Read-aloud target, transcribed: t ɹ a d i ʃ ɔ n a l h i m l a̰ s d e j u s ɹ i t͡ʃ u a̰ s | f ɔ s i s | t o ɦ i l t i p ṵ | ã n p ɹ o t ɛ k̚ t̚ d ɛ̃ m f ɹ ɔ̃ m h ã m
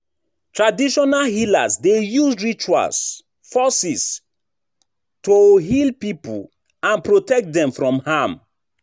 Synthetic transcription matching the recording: t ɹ a d i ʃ ɔ n a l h i l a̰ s d e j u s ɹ i t͡ʃ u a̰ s | f ɔ s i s | t o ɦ i l p i p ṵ | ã n p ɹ o t ɛ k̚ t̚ d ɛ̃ m f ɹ ɔ̃ m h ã m